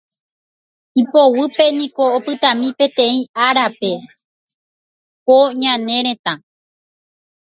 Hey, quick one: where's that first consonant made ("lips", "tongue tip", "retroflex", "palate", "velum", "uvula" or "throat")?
lips